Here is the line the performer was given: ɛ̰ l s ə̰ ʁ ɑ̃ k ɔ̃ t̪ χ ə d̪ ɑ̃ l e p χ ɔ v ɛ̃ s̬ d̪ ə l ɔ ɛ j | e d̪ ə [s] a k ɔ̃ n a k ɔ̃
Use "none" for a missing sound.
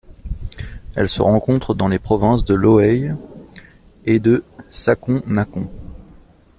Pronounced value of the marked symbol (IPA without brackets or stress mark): s